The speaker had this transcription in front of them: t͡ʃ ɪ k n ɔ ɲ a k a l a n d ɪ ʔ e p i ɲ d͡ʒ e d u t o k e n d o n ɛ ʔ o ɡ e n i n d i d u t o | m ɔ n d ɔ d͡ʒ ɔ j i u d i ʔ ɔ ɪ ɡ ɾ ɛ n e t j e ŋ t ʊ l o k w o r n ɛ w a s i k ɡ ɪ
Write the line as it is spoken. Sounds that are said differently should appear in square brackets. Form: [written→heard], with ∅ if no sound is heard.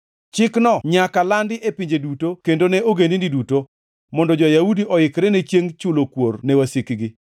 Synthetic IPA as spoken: t͡ʃ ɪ k n ɔ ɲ a k a l a n d ɪ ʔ e p i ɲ d͡ʒ e d u t o k e n d o n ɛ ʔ o ɡ e n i n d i d u t o | m ɔ n d ɔ d͡ʒ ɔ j [i→a] u d i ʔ ɔ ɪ [ɡ→k] ɾ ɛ n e [t→t͡ʃ] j e ŋ [t→t͡ʃ] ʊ l o k w o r n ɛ w a s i k ɡ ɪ